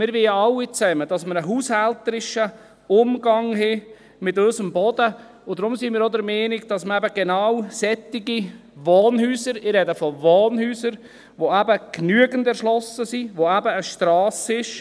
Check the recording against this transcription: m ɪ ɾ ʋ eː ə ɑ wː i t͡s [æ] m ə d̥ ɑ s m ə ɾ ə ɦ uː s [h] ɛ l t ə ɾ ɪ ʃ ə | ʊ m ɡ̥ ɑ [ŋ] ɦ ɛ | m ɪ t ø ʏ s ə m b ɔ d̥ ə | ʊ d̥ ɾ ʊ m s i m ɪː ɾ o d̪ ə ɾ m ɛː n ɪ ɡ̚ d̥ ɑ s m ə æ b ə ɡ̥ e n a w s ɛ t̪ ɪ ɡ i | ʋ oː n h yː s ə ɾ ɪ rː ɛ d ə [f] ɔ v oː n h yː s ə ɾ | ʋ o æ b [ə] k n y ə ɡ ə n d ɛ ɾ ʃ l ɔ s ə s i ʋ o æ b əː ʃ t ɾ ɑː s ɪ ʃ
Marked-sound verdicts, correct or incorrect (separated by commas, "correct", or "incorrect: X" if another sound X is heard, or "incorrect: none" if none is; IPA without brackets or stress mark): incorrect: ɛ, correct, correct, correct, correct